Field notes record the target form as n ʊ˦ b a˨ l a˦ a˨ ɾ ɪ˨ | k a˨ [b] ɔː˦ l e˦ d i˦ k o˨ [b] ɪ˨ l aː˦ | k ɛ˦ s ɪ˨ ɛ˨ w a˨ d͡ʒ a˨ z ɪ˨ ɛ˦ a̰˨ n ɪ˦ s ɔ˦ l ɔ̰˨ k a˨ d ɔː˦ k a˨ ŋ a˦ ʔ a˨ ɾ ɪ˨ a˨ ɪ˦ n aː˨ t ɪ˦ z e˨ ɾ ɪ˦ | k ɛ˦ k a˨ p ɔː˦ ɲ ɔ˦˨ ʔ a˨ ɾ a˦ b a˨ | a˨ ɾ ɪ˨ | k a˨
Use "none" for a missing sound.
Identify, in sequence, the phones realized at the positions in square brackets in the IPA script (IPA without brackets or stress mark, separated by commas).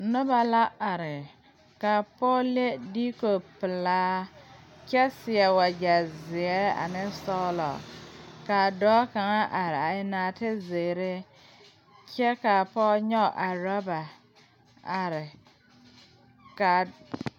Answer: p, p